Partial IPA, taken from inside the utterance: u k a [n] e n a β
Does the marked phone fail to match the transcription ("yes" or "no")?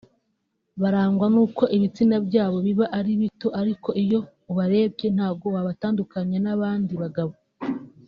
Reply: yes